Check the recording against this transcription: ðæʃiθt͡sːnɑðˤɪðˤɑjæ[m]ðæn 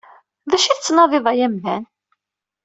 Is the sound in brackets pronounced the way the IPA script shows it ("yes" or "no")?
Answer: yes